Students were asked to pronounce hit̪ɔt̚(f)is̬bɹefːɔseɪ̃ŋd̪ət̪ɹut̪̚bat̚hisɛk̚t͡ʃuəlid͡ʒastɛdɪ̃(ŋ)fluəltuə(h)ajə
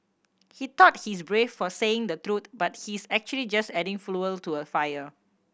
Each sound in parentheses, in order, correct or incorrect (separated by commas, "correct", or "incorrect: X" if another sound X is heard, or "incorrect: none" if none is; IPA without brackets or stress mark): incorrect: h, correct, incorrect: f